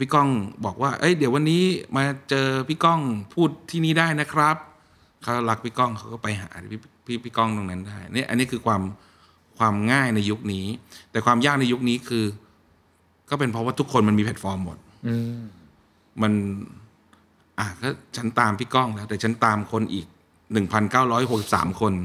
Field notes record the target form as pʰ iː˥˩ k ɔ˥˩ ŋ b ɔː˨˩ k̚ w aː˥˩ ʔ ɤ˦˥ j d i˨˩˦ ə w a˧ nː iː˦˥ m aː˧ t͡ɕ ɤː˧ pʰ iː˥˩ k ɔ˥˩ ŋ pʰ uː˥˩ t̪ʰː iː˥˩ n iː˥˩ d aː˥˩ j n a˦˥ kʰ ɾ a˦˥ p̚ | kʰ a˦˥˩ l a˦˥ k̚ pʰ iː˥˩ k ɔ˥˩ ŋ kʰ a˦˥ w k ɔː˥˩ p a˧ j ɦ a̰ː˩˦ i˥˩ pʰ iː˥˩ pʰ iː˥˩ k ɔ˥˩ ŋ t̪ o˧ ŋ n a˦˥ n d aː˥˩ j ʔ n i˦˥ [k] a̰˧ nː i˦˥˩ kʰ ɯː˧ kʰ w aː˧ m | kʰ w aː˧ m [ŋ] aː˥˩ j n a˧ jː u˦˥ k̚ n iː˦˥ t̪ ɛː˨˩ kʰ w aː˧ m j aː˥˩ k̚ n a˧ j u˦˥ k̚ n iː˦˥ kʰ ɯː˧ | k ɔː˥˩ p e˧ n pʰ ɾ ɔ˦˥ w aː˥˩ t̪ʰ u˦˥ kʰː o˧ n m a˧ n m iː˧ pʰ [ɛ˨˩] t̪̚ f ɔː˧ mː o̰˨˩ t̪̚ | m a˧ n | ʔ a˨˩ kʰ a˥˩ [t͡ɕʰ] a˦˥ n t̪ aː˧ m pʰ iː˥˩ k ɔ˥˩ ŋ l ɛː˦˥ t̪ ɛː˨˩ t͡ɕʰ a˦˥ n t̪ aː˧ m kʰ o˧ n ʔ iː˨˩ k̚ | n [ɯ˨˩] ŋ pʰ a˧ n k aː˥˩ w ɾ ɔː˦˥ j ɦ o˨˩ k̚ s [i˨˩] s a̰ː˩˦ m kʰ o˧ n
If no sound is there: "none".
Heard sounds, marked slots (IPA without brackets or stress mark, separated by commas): ʔ, ŋ, ɛ˨˩, t͡ɕʰ, ɯ˨˩, i˨˩